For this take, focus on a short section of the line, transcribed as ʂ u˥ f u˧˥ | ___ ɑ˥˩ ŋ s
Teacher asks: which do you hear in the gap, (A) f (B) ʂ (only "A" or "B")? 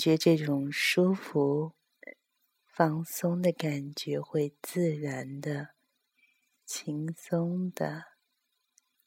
A